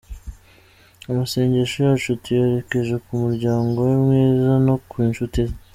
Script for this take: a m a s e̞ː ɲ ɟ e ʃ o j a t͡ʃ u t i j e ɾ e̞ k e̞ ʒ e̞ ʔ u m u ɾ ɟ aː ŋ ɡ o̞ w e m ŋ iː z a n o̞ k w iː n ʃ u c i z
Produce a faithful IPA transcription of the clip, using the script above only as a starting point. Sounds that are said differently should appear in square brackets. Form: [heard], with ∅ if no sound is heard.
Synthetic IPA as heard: a m a s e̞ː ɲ ɟ e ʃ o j a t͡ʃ u t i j e ɾ e̞ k e̞ ʒ e̞ [k] u m u ɾ ɟ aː ŋ ɡ o̞ w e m ŋ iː z a n o̞ k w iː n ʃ u [t] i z